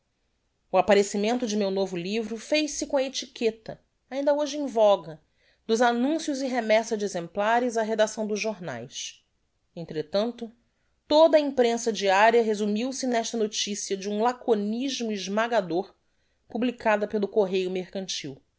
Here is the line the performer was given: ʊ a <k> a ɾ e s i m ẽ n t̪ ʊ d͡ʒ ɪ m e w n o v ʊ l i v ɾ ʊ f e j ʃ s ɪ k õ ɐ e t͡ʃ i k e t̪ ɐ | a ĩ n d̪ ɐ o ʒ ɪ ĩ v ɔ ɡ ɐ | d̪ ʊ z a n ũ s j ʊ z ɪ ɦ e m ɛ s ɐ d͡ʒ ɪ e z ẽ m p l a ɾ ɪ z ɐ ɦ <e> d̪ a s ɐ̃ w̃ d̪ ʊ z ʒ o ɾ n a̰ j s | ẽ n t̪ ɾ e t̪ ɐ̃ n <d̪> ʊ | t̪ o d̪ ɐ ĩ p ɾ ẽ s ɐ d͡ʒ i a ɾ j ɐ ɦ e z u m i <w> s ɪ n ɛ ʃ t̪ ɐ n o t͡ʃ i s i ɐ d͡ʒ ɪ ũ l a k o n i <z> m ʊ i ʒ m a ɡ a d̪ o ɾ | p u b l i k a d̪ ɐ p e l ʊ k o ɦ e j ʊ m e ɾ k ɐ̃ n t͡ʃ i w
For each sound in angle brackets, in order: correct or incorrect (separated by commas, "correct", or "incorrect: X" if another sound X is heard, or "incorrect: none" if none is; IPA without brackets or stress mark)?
incorrect: p, correct, incorrect: t̪, correct, incorrect: ʒ